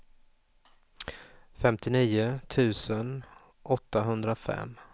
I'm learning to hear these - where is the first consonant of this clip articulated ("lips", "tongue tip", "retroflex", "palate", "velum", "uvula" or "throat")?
lips